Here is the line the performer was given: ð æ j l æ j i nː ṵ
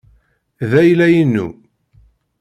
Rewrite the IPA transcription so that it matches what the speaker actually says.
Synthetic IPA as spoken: ð æ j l æ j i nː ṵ